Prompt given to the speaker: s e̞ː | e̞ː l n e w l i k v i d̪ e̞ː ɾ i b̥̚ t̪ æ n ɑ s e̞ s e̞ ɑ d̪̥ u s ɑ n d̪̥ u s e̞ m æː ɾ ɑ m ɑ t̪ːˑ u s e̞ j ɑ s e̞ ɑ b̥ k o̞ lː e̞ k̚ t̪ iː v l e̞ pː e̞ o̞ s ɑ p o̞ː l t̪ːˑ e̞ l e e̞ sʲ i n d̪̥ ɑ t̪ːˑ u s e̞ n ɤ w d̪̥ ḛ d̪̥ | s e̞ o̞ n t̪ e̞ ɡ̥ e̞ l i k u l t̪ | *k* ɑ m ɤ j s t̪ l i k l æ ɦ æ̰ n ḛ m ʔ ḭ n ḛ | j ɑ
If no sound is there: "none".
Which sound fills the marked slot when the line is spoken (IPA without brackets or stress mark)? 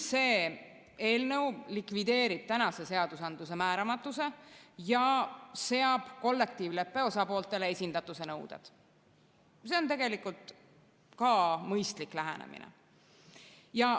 k